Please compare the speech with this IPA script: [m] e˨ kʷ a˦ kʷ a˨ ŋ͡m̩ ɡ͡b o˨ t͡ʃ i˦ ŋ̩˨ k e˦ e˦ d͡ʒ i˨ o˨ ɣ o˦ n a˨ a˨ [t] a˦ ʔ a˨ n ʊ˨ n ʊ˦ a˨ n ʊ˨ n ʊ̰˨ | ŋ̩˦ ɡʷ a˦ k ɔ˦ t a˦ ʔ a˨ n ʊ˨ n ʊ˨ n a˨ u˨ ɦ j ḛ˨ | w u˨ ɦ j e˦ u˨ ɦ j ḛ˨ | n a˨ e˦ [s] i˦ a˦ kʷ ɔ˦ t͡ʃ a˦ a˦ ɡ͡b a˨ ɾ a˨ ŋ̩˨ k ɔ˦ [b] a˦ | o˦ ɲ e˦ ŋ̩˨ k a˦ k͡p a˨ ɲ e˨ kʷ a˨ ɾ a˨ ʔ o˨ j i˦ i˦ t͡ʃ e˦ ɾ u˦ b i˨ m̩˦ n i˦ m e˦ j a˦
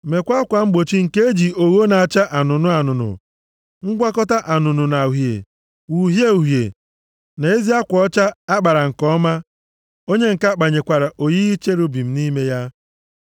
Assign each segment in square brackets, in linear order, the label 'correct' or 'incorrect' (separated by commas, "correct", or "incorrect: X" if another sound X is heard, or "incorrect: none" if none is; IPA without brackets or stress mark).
correct, incorrect: t͡ʃ, incorrect: z, incorrect: m